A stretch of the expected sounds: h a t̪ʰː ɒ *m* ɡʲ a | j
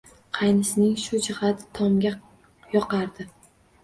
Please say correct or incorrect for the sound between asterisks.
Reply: correct